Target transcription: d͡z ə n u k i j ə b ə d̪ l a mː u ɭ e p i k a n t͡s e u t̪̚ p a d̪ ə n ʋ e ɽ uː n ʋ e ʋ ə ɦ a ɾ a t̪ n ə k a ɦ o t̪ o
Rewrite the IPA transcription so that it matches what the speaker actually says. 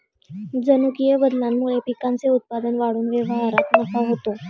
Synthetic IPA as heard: d͡z ə n u k i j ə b ə d̪ l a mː u ɭ e p i k a n t͡s e u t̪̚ p a d̪ ə n ʋ a ɽ uː n ʋ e ʋ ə ɦ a ɾ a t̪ n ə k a ɦ o t̪ o